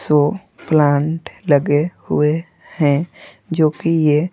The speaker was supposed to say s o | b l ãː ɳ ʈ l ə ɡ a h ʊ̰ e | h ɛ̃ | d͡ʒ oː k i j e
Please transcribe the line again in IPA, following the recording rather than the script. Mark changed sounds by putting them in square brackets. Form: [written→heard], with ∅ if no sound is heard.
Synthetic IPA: s o | [b→p] l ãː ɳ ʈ l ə ɡ [a→e] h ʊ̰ e | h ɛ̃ | d͡ʒ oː k i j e